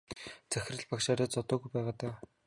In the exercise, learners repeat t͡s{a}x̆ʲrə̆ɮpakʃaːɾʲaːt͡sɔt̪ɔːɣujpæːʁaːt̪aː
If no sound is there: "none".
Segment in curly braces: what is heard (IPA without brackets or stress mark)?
æ